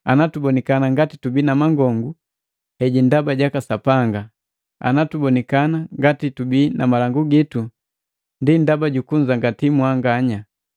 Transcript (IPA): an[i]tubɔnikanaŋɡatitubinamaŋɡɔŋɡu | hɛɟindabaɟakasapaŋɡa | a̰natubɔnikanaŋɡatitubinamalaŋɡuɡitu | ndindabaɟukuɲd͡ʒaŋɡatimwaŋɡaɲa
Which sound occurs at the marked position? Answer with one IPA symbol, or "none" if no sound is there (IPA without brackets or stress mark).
a